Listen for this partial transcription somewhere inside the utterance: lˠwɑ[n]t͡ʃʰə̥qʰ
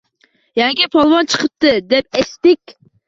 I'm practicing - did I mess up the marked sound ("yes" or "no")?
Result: no